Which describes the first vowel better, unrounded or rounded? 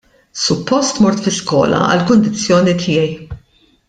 rounded